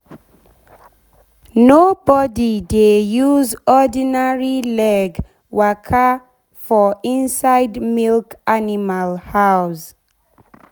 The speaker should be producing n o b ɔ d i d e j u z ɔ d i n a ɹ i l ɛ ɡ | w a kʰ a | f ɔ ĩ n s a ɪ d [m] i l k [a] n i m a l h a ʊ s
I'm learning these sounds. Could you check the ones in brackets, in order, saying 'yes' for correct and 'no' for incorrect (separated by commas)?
yes, yes